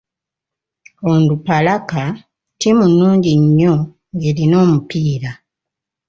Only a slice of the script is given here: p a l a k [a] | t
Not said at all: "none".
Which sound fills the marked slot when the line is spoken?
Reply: a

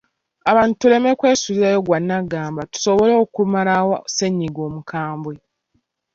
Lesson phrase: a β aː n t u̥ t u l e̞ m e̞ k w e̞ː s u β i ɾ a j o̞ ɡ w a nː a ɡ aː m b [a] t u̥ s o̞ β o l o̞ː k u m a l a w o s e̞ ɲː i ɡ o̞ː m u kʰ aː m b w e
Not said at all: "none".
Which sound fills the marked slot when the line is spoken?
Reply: a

